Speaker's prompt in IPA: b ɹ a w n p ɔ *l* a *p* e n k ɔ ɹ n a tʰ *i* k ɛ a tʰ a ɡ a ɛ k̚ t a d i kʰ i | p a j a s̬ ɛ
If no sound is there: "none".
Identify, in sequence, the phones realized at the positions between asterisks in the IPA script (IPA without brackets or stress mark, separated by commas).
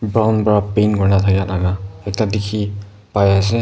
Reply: ɹ, p, a